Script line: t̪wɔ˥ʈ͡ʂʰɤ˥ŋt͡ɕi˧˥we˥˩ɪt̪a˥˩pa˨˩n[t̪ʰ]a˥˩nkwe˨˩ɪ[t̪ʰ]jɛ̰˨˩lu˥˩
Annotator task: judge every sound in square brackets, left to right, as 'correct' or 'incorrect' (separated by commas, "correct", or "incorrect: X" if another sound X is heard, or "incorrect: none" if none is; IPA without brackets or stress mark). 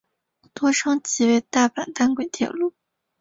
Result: incorrect: t̪, correct